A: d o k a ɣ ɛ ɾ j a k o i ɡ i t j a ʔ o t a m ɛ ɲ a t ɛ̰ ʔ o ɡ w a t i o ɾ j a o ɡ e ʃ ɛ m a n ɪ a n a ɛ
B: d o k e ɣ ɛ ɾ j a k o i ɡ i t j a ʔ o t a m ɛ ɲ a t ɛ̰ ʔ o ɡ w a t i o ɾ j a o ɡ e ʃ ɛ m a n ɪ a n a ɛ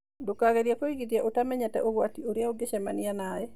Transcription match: A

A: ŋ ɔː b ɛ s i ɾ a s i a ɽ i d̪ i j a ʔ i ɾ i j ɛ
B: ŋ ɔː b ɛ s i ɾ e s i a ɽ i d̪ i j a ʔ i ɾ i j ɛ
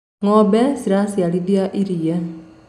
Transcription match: A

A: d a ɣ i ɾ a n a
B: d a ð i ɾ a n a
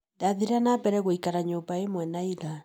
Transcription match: B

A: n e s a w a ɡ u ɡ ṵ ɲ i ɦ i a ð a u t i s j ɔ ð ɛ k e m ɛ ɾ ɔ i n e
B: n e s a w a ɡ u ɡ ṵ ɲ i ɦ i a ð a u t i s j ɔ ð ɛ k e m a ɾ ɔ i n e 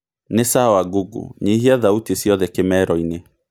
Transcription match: A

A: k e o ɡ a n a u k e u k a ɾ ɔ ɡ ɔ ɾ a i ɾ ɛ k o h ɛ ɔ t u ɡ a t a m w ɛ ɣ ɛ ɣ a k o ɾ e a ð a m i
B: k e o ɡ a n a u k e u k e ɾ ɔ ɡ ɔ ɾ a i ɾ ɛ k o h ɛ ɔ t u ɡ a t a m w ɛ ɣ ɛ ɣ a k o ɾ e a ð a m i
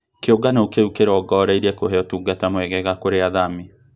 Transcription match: B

